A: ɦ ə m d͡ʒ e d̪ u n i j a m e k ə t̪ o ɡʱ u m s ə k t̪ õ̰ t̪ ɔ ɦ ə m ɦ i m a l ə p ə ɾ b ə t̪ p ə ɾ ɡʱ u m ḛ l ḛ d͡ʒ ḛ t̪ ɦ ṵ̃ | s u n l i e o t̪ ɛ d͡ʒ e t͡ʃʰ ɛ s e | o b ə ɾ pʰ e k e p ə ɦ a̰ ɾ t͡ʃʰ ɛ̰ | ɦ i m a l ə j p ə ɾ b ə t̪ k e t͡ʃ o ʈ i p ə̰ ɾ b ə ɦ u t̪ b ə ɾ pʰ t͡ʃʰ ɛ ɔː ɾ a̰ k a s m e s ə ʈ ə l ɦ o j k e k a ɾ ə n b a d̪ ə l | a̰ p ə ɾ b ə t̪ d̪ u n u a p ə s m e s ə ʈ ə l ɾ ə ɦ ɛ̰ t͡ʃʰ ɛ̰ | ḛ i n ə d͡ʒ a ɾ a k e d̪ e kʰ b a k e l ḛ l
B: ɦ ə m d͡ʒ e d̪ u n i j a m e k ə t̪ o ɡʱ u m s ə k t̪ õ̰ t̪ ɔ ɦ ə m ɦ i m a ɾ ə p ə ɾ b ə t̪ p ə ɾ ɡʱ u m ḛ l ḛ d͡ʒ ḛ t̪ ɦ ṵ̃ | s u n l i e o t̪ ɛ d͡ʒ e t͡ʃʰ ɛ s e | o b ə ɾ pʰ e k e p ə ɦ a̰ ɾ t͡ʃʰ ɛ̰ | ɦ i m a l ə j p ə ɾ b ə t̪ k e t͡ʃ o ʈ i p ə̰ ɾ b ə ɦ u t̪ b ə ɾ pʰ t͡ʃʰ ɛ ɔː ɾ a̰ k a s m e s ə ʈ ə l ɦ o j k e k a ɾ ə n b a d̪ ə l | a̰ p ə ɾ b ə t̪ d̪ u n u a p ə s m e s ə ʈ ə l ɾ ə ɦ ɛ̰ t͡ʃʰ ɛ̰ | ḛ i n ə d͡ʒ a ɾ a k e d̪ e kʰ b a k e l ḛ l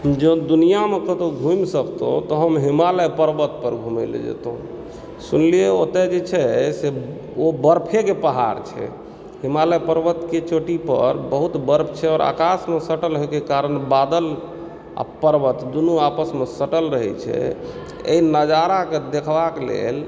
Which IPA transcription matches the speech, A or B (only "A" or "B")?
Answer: A